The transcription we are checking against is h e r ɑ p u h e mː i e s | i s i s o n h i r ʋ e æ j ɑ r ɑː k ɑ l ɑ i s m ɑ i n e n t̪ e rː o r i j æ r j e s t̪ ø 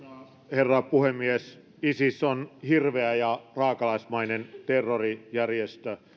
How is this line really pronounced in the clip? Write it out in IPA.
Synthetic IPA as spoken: h e rː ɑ p u h e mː i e s | i s i s o n h i r ʋ e æ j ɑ r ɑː k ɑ l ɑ i s m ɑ i n e n t̪ e rː o r i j æ r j e s t̪ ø